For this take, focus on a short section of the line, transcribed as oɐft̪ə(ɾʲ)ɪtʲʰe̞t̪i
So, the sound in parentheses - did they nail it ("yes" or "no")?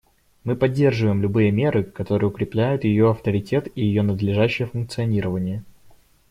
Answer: yes